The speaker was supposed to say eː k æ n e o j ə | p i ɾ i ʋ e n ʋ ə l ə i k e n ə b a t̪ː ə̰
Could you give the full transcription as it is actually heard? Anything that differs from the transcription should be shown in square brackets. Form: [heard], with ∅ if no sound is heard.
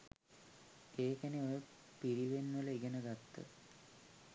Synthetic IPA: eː k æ n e o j ə | p i ɾ i ʋ e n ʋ ə l ə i [ɡ] e n ə [ɡ] a t̪ː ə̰